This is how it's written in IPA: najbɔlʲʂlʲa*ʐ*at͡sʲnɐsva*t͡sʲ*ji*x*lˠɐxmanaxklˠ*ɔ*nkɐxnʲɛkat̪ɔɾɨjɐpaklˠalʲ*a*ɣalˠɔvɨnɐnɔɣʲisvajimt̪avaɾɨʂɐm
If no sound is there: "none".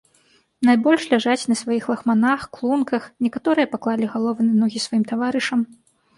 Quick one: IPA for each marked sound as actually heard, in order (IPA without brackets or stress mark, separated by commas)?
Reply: ʐ, none, x, u, i